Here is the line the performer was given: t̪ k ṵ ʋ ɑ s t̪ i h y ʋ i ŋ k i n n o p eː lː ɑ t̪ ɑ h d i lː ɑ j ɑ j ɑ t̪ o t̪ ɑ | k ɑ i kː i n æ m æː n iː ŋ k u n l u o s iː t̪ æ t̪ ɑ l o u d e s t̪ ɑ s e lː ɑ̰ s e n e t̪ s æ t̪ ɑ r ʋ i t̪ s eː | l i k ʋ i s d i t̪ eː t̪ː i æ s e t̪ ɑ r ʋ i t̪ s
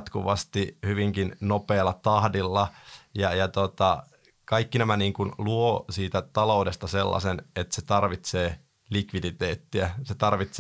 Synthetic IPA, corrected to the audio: t̪ k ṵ ʋ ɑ s t̪ i h y ʋ i ŋ k i n n o p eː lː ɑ t̪ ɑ h d i lː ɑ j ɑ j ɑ t̪ o t̪ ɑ | k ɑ i kː i n æ m æ n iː ŋ k u n l u o s iː t̪ æ t̪ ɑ l o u d e s t̪ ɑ s e lː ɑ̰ s e n e t̪ s e t̪ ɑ r ʋ i t̪ s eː | l i k ʋ i d i t̪ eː t̪ː i æ s e t̪ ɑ r ʋ i t̪ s